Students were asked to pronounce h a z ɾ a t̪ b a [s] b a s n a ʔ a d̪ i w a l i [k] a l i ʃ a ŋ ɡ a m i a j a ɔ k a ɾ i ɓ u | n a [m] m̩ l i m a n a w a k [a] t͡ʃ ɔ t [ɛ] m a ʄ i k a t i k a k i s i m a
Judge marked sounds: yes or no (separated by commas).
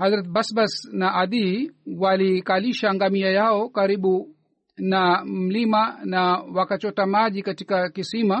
yes, yes, yes, yes, no